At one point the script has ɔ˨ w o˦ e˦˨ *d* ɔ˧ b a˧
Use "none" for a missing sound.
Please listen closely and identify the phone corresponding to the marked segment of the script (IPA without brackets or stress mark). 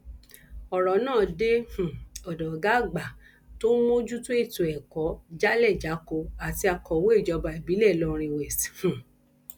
d͡ʒ